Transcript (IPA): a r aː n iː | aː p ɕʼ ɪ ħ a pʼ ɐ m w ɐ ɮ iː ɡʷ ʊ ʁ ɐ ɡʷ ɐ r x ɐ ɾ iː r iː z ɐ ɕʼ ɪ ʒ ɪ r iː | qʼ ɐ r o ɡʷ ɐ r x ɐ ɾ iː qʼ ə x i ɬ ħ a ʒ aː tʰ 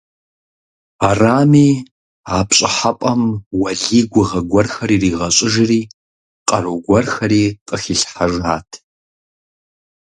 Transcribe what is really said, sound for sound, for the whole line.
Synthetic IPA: a r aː m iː | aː p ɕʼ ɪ ħ a pʼ ɐ m w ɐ ɮ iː ɡʷ ʊ ʁ ɐ ɡʷ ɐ r x ɐ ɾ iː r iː ʁ ɐ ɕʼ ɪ ʒ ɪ r iː | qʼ ɐ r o ɡʷ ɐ r x ɐ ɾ iː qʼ ə x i ɬ ħ a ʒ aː tʰ